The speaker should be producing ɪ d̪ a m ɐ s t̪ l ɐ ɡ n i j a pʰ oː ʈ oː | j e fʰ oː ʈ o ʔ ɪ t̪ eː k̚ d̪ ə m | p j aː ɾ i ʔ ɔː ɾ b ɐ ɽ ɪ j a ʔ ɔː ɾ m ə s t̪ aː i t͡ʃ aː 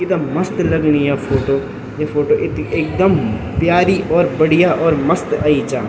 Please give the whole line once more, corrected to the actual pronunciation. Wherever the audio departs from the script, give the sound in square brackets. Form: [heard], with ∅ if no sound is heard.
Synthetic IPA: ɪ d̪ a m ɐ s t̪ l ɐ ɡ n i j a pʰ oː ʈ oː | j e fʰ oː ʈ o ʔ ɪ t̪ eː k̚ d̪ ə m | p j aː ɾ i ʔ ɔː ɾ b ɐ ɽ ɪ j a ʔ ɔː ɾ m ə s t̪ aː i t͡ʃ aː